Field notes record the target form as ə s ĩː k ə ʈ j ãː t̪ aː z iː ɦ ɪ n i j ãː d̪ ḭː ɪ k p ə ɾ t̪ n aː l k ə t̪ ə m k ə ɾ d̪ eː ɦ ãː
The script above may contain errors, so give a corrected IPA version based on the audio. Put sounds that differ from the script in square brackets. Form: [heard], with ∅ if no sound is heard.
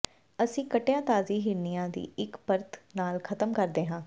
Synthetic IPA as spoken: ə s ĩː k ə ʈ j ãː t̪ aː z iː ɦ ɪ n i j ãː d̪ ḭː ɪ k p ə ɾ t̪ n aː l [kʰ] ə t̪ ə m k ə ɾ d̪ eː ɦ ãː

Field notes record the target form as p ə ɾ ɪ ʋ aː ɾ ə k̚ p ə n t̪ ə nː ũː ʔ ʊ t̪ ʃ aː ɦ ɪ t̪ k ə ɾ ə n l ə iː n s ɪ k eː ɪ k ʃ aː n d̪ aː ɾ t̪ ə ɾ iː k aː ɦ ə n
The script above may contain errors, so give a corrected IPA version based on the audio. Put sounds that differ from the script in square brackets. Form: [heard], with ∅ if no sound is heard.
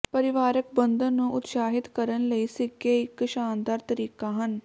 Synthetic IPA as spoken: p ə ɾ ɪ ʋ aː ɾ ə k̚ [b] ə n [d̪] ə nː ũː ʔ ʊ t̪ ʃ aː ɦ ɪ t̪ k ə ɾ ə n l ə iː [∅] s ɪ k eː ɪ k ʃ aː n d̪ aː ɾ t̪ ə ɾ iː k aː ɦ ə n

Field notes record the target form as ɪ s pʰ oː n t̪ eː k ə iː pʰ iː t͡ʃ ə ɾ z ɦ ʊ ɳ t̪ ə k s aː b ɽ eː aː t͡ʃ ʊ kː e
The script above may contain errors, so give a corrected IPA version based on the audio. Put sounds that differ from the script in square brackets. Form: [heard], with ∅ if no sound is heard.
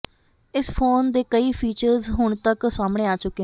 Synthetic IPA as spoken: ɪ s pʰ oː n [d̪] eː k ə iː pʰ iː t͡ʃ ə ɾ z ɦ ʊ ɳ t̪ ə k s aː [m] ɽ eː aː t͡ʃ ʊ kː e

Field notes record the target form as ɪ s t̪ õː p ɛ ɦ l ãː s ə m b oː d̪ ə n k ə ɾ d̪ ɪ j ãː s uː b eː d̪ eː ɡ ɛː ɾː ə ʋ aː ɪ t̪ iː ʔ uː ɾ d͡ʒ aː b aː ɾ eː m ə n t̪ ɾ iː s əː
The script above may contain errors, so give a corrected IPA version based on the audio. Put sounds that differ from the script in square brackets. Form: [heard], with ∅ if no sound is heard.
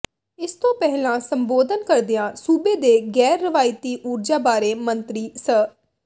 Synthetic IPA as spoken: ɪ s t̪ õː p ɛ ɦ l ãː s ə m b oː d̪ ə n k ə ɾ d̪ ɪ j ãː s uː b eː d̪ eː ɡ ɛː ɾː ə ʋ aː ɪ t̪ iː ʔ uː ɾ d͡ʒ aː b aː ɾ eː m ə n t̪ ɾ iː s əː

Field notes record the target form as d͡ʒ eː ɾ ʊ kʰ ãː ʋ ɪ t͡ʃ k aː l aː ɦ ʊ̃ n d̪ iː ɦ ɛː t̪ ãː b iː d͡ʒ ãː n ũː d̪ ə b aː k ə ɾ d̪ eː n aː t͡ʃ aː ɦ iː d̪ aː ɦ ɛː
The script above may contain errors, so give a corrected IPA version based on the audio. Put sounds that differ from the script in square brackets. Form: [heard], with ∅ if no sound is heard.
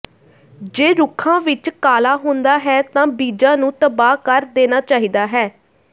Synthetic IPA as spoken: d͡ʒ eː ɾ ʊ kʰ ãː ʋ ɪ t͡ʃ k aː l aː ɦ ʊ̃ n d̪ [aː] ɦ ɛː t̪ ãː b iː d͡ʒ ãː n ũː [t̪] ə b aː k ə ɾ d̪ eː n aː t͡ʃ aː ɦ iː d̪ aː ɦ ɛː

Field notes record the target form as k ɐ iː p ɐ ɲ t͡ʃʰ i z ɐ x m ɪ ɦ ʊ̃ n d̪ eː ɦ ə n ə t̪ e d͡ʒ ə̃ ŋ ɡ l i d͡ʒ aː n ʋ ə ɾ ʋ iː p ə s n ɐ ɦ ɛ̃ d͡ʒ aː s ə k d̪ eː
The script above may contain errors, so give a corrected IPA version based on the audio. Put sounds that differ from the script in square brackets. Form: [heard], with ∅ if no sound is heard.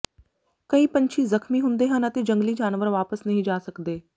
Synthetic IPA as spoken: k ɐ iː p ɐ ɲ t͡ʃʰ i z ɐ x m [i] ɦ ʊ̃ n d̪ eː ɦ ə n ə t̪ e d͡ʒ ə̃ ŋ ɡ l i d͡ʒ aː n ʋ ə ɾ ʋ [aː] p ə s n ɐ ɦ [ĩ] d͡ʒ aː s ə k d̪ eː

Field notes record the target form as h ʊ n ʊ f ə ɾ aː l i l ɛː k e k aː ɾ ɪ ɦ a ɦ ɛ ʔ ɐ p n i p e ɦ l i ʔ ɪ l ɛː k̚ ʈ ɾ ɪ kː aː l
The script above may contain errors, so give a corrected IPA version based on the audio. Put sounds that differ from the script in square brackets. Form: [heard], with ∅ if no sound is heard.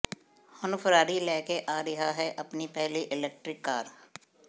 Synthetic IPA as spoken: h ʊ n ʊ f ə ɾ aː [ɾ] i l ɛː k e [ʔ] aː ɾ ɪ ɦ a ɦ ɛ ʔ ɐ p n i p [ɛ] ɦ l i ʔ ɪ l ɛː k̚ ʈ ɾ ɪ kː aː [ɾ]

